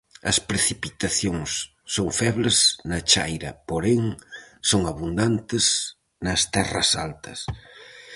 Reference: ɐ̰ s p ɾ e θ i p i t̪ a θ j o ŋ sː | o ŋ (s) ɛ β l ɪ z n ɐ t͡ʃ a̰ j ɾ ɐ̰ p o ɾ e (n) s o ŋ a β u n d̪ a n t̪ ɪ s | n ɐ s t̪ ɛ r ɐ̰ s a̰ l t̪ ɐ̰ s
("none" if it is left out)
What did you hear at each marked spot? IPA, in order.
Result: f, ŋ

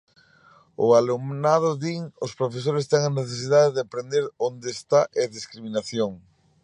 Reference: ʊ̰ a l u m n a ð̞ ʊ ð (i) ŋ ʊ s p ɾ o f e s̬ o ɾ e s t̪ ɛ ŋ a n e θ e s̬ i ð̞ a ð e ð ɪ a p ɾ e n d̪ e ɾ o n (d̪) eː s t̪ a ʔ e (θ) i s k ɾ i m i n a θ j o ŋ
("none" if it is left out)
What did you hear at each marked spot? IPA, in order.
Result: i, d̪, ð

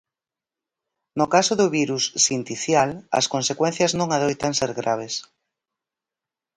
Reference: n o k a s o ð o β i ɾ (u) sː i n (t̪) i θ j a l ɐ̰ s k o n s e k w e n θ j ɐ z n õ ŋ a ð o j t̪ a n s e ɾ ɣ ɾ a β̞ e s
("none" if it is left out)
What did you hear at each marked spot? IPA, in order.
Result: u, t̪

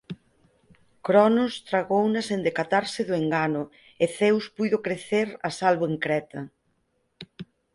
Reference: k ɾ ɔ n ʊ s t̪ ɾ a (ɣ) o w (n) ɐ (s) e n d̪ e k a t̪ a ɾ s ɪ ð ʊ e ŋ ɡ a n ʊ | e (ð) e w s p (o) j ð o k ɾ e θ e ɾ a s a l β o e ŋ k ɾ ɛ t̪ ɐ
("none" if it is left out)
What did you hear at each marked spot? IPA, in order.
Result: ɣ, n, s, θ, u

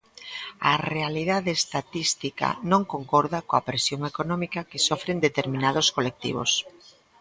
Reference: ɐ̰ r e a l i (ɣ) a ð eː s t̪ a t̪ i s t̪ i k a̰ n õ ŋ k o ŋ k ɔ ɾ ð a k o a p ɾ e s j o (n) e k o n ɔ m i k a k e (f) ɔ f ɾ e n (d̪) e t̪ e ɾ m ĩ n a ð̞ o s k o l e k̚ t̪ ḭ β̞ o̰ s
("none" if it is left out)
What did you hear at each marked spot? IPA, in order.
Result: ð, ŋ, s, d̪

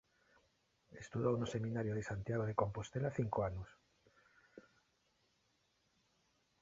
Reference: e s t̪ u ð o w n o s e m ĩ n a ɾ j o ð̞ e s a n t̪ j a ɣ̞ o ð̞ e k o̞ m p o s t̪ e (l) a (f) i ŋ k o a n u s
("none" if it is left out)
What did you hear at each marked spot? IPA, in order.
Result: l, θ

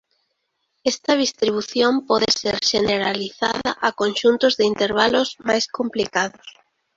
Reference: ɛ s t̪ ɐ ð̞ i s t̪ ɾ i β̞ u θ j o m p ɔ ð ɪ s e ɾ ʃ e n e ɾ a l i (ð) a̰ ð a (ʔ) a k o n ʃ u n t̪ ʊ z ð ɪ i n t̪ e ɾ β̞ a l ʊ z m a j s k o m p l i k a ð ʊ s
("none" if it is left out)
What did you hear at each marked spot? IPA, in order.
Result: θ, ʔ

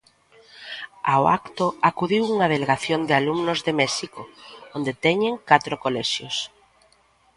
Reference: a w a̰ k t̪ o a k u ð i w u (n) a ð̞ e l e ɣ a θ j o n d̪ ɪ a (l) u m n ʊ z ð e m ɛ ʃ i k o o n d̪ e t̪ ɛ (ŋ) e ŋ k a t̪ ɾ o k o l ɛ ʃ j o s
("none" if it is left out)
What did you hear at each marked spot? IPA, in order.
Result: ŋ, l, ɲ

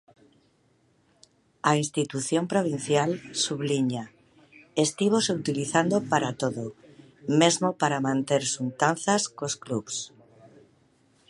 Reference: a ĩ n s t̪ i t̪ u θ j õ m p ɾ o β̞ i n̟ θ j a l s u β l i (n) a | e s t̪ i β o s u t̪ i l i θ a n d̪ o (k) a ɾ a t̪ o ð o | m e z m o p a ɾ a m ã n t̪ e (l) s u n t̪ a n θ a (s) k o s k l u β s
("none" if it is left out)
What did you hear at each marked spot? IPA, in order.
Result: ɲ, p, ɾ, s

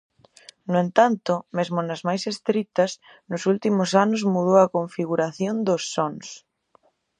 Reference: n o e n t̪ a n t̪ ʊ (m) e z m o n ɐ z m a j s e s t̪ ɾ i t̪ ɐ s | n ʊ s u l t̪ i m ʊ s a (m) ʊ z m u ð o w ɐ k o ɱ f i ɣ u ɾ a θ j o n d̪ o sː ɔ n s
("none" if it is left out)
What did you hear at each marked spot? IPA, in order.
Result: m, n

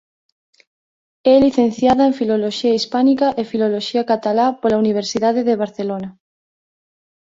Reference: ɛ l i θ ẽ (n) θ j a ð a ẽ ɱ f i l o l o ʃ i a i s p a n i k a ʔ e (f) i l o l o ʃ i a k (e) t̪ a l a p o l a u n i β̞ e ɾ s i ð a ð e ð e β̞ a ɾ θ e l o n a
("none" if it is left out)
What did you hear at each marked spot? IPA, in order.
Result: n, f, a

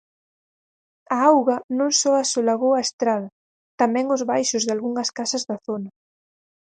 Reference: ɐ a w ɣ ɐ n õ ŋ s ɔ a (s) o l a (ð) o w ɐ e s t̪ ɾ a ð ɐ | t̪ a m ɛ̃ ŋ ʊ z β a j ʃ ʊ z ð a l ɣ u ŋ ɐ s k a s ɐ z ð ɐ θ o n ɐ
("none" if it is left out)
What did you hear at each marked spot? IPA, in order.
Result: s, ɣ

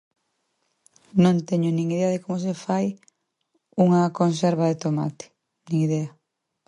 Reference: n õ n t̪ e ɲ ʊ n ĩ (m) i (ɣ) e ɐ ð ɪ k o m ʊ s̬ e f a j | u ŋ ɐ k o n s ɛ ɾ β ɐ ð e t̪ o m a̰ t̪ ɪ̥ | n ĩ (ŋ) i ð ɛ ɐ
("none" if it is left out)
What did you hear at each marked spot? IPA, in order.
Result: ŋ, ð, ŋ

